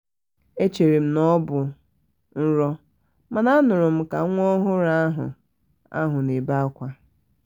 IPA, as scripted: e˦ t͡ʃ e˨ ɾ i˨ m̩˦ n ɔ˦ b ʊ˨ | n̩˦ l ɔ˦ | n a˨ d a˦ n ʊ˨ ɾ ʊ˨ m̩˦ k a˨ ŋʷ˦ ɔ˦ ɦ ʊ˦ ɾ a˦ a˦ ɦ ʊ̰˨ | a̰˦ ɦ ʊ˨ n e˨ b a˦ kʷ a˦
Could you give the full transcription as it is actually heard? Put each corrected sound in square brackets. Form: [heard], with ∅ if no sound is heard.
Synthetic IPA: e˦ t͡ʃ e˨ ɾ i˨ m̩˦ n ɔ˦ b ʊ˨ | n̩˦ [ɾ] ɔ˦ | [m] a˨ [n] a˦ n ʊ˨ ɾ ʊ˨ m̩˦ k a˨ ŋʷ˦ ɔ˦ ɦ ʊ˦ ɾ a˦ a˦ ɦ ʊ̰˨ | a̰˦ ɦ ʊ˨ n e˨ b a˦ kʷ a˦